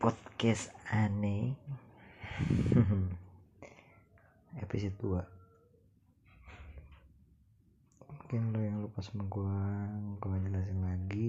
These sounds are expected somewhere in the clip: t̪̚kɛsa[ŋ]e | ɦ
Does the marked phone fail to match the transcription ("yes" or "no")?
yes